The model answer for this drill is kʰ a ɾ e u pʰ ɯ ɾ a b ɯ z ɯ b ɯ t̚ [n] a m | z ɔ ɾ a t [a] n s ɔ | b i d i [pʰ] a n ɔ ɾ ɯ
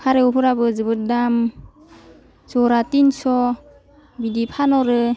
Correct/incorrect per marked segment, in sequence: incorrect: d, incorrect: i, correct

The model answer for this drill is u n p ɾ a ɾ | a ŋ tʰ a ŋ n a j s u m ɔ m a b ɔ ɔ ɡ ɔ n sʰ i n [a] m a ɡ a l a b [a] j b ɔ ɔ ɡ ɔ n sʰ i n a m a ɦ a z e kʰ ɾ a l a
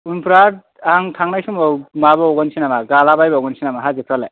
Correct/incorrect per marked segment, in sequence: correct, correct

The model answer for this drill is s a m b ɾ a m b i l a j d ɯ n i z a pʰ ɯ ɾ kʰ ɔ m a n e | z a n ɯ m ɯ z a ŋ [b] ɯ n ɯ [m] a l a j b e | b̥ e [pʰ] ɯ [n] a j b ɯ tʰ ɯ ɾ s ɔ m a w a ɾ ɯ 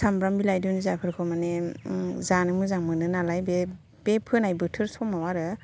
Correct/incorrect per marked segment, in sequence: incorrect: m, incorrect: n, correct, correct

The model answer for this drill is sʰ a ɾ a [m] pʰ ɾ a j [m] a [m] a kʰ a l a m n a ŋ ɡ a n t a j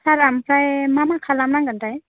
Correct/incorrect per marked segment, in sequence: correct, correct, correct

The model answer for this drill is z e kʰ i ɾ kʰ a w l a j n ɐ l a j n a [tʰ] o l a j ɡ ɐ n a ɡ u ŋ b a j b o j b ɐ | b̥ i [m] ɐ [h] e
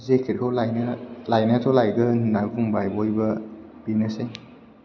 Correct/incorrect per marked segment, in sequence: correct, incorrect: n, incorrect: s

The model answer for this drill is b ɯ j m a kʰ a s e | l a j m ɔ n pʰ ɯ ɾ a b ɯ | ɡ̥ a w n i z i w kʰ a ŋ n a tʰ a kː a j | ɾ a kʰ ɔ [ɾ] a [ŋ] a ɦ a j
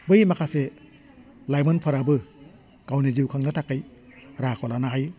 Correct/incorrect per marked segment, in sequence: incorrect: l, incorrect: n

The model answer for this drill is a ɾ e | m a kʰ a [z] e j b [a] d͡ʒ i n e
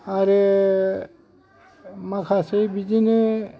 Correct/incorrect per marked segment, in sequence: incorrect: s, incorrect: i

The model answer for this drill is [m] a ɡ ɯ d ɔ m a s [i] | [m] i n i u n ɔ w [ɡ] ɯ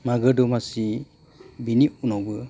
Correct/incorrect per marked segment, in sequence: correct, correct, incorrect: b, incorrect: b

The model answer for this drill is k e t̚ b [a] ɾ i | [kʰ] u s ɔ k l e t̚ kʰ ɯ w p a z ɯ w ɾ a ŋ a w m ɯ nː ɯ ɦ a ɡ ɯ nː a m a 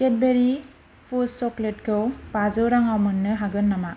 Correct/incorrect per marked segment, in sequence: incorrect: e, incorrect: pʰ

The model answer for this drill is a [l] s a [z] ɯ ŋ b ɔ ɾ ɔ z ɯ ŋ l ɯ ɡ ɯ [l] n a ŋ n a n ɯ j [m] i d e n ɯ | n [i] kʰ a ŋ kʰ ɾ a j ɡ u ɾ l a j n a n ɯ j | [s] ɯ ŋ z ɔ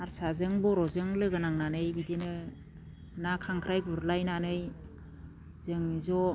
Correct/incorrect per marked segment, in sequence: incorrect: ɾ, correct, incorrect: none, incorrect: b, incorrect: a, incorrect: z

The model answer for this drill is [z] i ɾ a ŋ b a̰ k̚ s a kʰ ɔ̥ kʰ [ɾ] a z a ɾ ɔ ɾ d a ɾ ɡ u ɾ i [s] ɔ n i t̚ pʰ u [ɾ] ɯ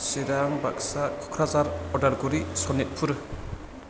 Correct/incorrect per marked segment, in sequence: incorrect: s, correct, correct, correct

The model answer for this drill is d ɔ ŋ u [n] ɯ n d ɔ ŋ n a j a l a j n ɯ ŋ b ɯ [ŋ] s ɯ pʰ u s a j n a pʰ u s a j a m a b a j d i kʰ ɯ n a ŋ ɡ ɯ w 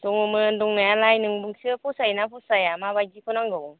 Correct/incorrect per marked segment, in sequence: incorrect: m, correct

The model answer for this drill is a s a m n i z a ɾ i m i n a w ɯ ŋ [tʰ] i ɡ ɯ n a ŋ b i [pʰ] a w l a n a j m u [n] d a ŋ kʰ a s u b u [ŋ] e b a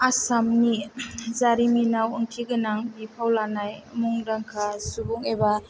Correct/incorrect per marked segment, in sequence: correct, correct, incorrect: ŋ, correct

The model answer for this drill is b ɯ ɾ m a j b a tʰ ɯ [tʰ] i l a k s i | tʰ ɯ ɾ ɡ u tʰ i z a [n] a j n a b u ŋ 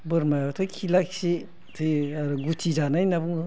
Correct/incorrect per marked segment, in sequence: incorrect: kʰ, correct

